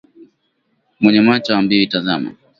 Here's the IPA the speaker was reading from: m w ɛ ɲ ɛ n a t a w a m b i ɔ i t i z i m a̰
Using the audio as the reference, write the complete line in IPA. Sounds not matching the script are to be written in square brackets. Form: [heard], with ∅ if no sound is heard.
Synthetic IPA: m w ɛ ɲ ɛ [m] a [t͡ʃ] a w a m b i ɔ i t [a] z [a] m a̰